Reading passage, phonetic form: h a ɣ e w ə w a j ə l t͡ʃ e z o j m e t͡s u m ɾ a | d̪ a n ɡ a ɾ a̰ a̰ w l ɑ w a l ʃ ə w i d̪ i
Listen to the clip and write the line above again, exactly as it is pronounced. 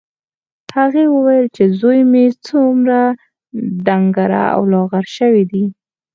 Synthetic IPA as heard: h a ɣ e w ə w a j ə l t͡ʃ e z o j m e t͡s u m ɾ a | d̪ a ŋ ɡ a ɾ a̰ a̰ w l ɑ ɣ a ɾ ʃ ə w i d̪ i

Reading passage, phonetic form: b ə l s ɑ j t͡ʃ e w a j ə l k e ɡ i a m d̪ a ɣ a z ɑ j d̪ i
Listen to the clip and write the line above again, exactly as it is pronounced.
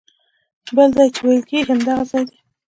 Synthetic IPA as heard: b ə l z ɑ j t͡ʃ e w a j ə l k e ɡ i a m d̪ a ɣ a z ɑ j d̪ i

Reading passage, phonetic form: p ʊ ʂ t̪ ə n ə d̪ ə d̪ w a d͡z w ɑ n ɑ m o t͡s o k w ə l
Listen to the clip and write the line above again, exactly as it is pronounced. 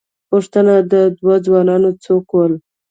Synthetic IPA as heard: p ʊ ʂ t̪ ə n a d̪ ə d̪ w a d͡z w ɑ n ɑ n o t͡s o k w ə l

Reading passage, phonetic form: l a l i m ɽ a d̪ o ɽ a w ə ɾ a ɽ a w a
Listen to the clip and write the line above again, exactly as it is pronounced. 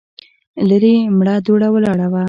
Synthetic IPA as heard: l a ɾ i m ɽ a d̪ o ɽ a w ə l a ɽ a w a

